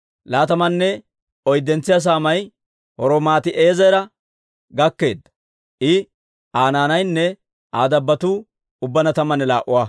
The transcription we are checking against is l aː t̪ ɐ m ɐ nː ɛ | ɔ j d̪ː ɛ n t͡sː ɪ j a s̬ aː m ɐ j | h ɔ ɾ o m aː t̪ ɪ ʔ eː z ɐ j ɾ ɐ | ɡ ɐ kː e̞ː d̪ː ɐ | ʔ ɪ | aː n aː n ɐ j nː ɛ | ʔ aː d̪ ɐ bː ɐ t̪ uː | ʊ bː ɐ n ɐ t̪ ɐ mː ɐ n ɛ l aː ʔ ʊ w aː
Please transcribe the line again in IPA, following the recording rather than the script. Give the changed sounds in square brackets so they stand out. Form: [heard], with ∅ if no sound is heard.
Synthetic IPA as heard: l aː t̪ ɐ m ɐ nː ɛ | ɔ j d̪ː ɛ n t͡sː ɪ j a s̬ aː m ɐ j | h ɔ ɾ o m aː t̪ ɪ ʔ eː z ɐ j ɾ ɐ | ɡ ɐ kː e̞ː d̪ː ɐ | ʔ ɪ | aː n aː n ɐ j nː ɛ | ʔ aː d̪ ɐ bː ɐ t̪ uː | ʊ bː ɐ n ɐ t̪ ɐ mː ɐ n ɛ l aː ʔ ʊ w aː

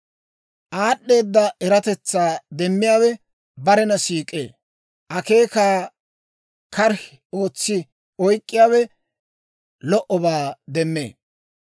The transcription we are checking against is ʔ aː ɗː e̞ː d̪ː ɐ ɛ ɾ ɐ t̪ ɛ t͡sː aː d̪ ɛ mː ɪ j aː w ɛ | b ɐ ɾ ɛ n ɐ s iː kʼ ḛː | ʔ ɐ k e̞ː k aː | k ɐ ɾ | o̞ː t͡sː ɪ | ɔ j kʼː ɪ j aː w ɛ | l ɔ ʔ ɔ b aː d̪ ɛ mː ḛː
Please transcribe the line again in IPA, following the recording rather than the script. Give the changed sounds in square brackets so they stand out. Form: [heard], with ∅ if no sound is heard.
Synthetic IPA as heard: ʔ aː ɗː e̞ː d̪ː ɐ ɛ ɾ ɐ t̪ ɛ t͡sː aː d̪ ɛ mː ɪ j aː w ɛ | b ɐ ɾ ɛ n ɐ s iː kʼ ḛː | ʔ ɐ k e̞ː k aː | k ɐ ɾ | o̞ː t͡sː ɪ | ɔ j kʼː ɪ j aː w ɛ | l ɔ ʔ ɔ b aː d̪ ɛ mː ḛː

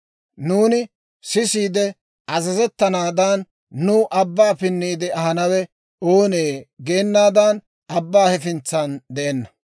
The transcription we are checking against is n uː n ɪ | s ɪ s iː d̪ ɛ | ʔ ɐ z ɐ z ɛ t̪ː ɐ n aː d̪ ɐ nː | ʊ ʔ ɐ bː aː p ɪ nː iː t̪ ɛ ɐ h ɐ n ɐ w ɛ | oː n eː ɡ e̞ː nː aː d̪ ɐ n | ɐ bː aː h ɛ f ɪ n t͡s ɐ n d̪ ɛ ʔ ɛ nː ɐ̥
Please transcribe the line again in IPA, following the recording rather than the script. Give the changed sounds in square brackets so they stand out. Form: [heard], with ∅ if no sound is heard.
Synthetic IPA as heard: n uː n ɪ | s ɪ s iː d̪ ɛ | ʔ ɐ z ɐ z ɛ t̪ː ɐ n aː d̪ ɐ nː | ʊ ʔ ɐ bː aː p ɪ nː iː [d̪] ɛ ɐ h ɐ n ɐ w ɛ | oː n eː ɡ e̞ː nː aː d̪ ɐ n | ɐ bː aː h ɛ f ɪ n t͡s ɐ n d̪ ɛ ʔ ɛ nː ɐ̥

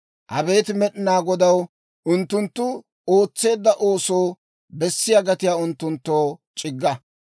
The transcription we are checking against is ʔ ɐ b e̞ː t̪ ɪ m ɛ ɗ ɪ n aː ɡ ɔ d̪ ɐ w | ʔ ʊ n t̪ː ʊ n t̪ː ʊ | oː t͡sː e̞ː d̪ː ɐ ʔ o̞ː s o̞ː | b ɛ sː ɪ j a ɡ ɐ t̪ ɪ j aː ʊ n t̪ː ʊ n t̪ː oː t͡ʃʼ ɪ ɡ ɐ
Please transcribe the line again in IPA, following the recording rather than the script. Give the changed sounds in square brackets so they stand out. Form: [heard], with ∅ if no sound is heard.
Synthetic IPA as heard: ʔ ɐ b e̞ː t̪ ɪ m ɛ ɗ ɪ n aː ɡ ɔ d̪ ɐ w | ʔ ʊ n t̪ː ʊ n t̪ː ʊ | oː t͡sː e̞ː d̪ː ɐ ʔ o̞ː s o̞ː | b ɛ sː ɪ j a ɡ ɐ t̪ ɪ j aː ʊ n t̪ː ʊ n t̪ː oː t͡ʃʼ ɪ [ɡː] ɐ

